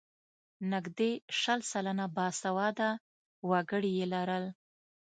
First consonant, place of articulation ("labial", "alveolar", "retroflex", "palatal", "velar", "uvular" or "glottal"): alveolar